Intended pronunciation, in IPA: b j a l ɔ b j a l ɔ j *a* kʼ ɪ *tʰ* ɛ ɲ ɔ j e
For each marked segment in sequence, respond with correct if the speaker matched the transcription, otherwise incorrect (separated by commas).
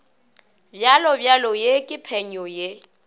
incorrect, incorrect